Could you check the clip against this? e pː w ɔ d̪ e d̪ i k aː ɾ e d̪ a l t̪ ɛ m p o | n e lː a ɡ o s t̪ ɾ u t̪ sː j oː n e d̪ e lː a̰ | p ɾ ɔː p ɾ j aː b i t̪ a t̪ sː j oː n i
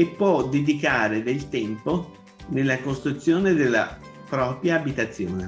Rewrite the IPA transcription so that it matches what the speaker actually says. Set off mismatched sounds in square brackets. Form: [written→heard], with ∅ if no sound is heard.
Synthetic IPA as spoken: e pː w ɔ d̪ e d̪ i k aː ɾ e d̪ [a→e] l t̪ ɛ m p o | n e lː a [ɡ→k] o s t̪ ɾ u t̪ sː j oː n e d̪ e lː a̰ | p ɾ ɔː p ɾ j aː b i t̪ a t̪ sː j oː n [i→e]

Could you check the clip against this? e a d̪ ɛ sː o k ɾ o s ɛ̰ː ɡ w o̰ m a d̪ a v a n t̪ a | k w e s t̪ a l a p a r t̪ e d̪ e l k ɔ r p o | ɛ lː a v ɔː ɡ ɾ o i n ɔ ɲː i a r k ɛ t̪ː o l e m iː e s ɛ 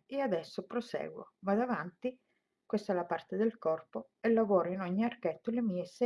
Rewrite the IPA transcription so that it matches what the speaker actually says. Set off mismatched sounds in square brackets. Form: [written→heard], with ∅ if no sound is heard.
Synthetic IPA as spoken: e a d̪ ɛ sː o [k→p] ɾ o s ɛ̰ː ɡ w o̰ m a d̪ a v a n t̪ [a→i] | k w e s t̪ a l a p a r t̪ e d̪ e l k ɔ r p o | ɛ lː a v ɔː [ɡ→∅] ɾ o i n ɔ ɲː i a r k ɛ t̪ː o l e m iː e s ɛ

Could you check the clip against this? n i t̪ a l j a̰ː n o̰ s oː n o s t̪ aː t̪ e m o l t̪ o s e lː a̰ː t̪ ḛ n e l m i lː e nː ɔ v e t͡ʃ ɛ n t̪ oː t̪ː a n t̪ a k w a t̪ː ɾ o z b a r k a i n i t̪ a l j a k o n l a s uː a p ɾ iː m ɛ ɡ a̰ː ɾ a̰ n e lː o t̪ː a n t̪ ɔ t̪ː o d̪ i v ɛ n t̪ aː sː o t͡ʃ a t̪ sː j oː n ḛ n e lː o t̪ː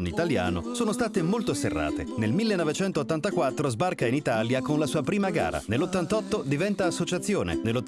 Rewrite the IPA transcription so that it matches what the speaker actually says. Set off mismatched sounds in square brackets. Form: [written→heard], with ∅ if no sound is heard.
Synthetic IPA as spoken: n i t̪ a l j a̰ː n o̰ s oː n o s t̪ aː t̪ e m o l t̪ o s e [lː→rː] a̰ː t̪ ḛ n e l m i lː e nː ɔ v e t͡ʃ ɛ n t̪ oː t̪ː a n t̪ a k w a t̪ː ɾ o z b a r k a i n i t̪ a l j a k o n l a s uː a p ɾ iː m [ɛ→a] ɡ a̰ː ɾ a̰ n e lː o t̪ː a n t̪ ɔ t̪ː o d̪ i v ɛ n t̪ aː sː o t͡ʃ a t̪ sː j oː n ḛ n e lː o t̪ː

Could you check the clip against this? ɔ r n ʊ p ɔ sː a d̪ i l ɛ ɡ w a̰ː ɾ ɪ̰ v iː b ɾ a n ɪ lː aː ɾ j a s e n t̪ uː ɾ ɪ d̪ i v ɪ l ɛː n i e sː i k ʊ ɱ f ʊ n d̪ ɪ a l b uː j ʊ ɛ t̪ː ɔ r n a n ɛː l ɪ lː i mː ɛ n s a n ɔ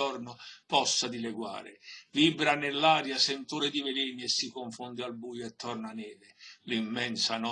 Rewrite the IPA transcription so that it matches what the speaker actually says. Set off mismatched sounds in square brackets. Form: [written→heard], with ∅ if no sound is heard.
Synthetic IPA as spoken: ɔ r n ʊ p ɔ sː a d̪ i l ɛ ɡ w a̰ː ɾ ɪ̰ v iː b ɾ a n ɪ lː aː ɾ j a s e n t̪ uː ɾ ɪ d̪ i v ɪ l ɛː n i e sː i k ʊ ɱ f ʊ n d̪ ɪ a l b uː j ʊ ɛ t̪ː ɔ r n a n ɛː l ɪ [lː→l] i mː ɛ n s a n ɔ

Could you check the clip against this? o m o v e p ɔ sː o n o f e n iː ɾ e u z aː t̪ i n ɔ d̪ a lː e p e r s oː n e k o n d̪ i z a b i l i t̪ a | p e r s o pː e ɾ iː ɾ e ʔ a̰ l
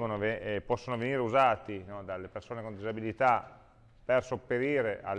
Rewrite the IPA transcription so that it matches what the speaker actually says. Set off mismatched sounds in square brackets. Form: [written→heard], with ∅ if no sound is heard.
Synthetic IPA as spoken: o [m→n] o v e p ɔ sː o n o [f→v] e n iː ɾ e u z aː t̪ i n ɔ d̪ a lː e p e r s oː n e k o n d̪ i z a b i l i t̪ a | p e r s o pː e ɾ iː ɾ e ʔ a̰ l

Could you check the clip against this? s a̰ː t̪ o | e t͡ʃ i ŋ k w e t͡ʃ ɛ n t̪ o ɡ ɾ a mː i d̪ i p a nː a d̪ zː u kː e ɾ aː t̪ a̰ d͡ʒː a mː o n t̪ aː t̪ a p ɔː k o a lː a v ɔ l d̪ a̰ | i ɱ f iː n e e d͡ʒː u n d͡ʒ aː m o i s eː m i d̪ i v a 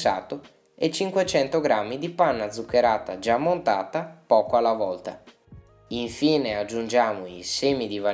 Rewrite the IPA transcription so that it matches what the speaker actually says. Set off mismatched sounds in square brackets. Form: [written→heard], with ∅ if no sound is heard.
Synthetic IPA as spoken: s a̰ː t̪ o | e t͡ʃ i ŋ k w e t͡ʃ ɛ n t̪ o ɡ ɾ a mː i d̪ i p a nː a d̪ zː u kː e ɾ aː t̪ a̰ [d͡ʒː→d͡ʒ] a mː o n t̪ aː t̪ a p ɔː k o a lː a v ɔ l [d̪→t̪] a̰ | i ɱ f iː n e [e→a] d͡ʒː u n d͡ʒ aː m o i s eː m i d̪ i v a

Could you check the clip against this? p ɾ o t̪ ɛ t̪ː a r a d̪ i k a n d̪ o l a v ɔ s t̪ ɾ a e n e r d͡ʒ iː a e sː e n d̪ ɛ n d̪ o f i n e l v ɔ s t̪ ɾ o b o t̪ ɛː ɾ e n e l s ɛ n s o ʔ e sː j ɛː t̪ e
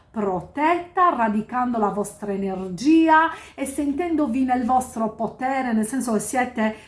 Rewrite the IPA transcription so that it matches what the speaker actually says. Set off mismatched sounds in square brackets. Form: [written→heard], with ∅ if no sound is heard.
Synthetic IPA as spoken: p ɾ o t̪ ɛ t̪ː a r a d̪ i k a n d̪ o l a v ɔ s t̪ ɾ a e n e r d͡ʒ iː a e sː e n [d̪→t̪] ɛ n d̪ o [f→v] i n e l v ɔ s t̪ ɾ o [b→p] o t̪ ɛː ɾ e n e l s ɛ n s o [ʔ→k] e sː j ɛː t̪ e

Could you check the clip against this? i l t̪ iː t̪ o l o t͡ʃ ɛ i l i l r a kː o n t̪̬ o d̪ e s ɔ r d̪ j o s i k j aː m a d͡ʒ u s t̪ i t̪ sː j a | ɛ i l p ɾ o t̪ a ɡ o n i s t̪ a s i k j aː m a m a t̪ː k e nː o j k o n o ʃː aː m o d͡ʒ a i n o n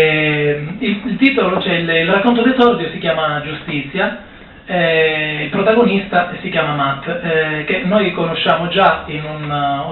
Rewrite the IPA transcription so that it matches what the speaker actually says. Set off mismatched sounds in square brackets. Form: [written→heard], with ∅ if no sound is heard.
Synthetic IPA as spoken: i l t̪ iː t̪ o l o t͡ʃ ɛ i l i l r a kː o n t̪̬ o d̪ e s ɔ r d̪ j o s i k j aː m a d͡ʒ u s t̪ i t̪ sː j a | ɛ i l p ɾ o t̪ a ɡ o n i s t̪ a s i k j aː m a m a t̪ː k e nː o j k o n o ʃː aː m o d͡ʒ a i n [o→u] n

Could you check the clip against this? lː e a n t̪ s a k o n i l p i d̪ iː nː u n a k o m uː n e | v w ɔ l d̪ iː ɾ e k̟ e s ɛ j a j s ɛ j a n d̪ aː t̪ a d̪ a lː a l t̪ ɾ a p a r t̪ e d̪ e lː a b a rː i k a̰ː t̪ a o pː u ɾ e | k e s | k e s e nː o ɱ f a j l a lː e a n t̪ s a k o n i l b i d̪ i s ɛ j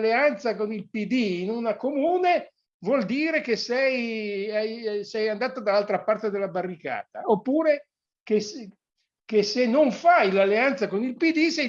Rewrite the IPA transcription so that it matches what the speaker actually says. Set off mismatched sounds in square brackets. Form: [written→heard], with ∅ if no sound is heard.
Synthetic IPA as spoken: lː e a n t̪ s a k o n i l p i d̪ iː [nː→n] u n a k o m uː n e | v w ɔ l d̪ iː ɾ e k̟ e s ɛ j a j s ɛ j a n d̪ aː t̪ a d̪ a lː a l t̪ ɾ a p a r t̪ e d̪ e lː a b a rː i k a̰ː t̪ a o pː [u→uː] ɾ e | k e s | k e s e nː o ɱ f a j l a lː e a n t̪ s a k o n i l [b→p] i d̪ i s ɛ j

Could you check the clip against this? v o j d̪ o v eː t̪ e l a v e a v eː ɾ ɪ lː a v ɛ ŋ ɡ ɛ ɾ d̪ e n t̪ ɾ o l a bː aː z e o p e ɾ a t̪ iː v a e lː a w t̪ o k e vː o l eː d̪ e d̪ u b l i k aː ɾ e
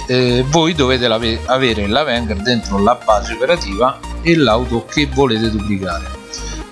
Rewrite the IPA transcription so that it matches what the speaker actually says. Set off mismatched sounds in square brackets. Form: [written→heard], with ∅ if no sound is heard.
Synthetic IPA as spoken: v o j d̪ o v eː t̪ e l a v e a v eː ɾ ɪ [lː→l] a v ɛ ŋ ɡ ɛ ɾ d̪ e n t̪ ɾ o l a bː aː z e o p e ɾ a t̪ iː v a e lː a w t̪ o k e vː o l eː [d̪→t̪] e d̪ u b l i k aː ɾ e

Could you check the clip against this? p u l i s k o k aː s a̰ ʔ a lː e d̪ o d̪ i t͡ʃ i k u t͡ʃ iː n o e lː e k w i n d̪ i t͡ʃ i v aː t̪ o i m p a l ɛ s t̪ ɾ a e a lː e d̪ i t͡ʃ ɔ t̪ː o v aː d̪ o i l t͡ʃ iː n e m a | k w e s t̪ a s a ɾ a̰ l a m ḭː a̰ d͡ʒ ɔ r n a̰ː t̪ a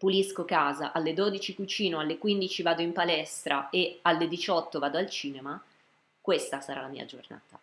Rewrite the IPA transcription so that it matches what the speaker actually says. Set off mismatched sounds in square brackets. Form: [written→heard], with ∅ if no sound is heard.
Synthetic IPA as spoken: p u l i s k o k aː [s→z] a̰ ʔ a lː e d̪ o d̪ i t͡ʃ i k u t͡ʃ iː n o [e→a] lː e k w i n d̪ i t͡ʃ i v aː [t̪→d̪] o i m p a l ɛ s t̪ ɾ a e a lː e d̪ i t͡ʃ ɔ t̪ː o v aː d̪ o [i→a] l t͡ʃ iː n e m a | k w e s t̪ a s a ɾ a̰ l a m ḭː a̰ d͡ʒ [ɔ→o] r n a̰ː t̪ a

